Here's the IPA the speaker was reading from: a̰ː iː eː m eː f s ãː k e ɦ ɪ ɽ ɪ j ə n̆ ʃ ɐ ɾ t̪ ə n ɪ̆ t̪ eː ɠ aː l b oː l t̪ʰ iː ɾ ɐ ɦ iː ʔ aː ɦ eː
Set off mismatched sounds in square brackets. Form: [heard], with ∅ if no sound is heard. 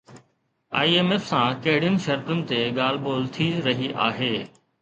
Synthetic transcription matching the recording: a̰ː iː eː m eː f s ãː k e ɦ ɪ ɽ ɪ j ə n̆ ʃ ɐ ɾ t̪ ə n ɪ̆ t̪ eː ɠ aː l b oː l t̪ʰ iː ɾ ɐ ɦ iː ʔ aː ɦ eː

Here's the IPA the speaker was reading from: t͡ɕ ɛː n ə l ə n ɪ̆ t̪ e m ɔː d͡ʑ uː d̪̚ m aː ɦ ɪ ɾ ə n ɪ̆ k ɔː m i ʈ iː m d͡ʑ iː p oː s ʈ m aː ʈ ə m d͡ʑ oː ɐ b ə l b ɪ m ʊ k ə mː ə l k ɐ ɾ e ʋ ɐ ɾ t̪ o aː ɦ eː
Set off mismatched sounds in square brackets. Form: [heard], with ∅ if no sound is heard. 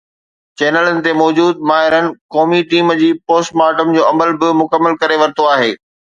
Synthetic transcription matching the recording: t͡ɕ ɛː n ə l ə n ɪ̆ t̪ e m ɔː d͡ʑ uː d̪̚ m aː ɦ ɪ ɾ ə n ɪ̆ k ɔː m i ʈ iː m d͡ʑ iː p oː s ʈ m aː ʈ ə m d͡ʑ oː ɐ [m] ə l b ɪ m ʊ k ə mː ə l k ɐ ɾ e ʋ ɐ ɾ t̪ o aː ɦ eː

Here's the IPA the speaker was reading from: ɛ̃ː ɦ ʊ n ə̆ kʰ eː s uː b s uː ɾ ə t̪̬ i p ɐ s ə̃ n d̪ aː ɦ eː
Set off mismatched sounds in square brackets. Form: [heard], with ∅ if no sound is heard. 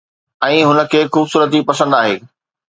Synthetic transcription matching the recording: ɛ̃ː ɦ ʊ n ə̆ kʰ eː [x] uː b s uː ɾ ə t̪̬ i p ɐ s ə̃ n d̪ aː ɦ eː

